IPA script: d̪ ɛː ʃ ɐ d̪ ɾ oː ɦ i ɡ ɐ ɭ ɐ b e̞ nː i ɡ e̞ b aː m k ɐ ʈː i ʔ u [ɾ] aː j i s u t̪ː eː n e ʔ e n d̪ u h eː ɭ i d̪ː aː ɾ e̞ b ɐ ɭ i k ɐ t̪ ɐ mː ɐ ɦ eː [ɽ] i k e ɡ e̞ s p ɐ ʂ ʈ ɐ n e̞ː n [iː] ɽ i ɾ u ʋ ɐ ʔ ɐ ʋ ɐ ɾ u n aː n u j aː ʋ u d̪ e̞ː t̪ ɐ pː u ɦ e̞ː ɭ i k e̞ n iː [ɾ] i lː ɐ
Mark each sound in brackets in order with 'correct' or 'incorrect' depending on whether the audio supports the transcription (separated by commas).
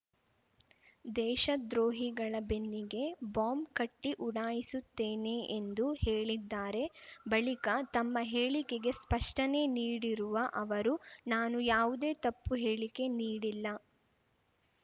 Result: incorrect, incorrect, correct, incorrect